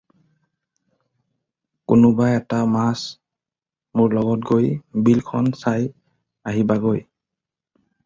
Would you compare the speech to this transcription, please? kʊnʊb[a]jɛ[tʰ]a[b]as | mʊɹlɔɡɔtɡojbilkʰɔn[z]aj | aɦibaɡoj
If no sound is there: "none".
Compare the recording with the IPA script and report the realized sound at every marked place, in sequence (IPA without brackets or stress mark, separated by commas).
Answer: a, t, m, s